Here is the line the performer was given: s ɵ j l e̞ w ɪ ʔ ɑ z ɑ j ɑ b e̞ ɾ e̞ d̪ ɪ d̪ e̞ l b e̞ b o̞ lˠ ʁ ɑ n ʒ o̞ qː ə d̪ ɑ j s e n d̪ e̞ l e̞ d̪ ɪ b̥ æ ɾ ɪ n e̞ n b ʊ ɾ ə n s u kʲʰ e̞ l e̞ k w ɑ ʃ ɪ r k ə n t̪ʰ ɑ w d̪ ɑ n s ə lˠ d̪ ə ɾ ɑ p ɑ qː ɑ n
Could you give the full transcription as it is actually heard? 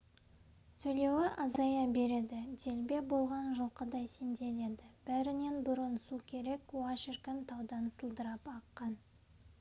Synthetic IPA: s ɵ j l e̞ w ɪ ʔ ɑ z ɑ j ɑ b e̞ ɾ e̞ d̪ ɪ d̪ e̞ l b e̞ b o̞ lˠ ʁ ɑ n ʒ o̞ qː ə d̪ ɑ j s e n d̪ e̞ l e̞ d̪ ɪ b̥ æ ɾ ɪ n e̞ n b ʊ ɾ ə n s u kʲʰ e̞ ɾ e̞ k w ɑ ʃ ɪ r k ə n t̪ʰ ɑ w d̪ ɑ n s ə lˠ d̪ ə ɾ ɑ p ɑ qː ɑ n